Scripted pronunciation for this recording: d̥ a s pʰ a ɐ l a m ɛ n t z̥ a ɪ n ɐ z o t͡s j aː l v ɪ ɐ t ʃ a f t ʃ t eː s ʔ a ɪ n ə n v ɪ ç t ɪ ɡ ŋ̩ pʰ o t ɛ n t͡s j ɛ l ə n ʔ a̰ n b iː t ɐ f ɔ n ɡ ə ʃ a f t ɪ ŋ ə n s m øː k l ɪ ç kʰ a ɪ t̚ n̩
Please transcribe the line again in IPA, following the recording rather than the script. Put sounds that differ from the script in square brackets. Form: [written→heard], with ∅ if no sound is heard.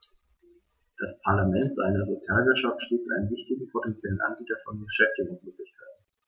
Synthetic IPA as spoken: d̥ a s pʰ a ɐ l a m ɛ n t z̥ a ɪ n ɐ z o t͡s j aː l v ɪ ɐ t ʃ a f t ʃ t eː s ʔ a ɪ n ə n v ɪ ç t ɪ ɡ ŋ̩ pʰ o t ɛ n t͡s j ɛ l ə n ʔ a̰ n b iː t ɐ f ɔ n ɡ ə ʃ [a→ɛ] f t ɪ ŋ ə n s m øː k l ɪ ç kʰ a ɪ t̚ n̩